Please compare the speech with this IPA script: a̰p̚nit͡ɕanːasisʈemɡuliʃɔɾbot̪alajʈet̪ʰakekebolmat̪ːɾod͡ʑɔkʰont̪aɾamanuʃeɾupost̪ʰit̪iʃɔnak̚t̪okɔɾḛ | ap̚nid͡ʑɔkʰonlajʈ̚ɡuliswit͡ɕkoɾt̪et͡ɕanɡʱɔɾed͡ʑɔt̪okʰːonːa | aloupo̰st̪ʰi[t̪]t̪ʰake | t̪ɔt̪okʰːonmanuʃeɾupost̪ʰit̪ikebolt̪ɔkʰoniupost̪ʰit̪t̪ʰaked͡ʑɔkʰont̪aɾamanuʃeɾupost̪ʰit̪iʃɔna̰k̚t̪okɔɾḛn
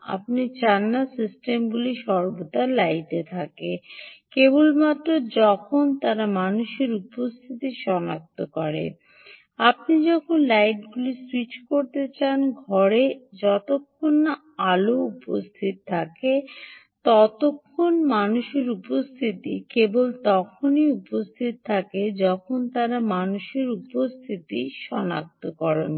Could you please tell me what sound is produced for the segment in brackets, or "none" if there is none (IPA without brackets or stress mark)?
t̪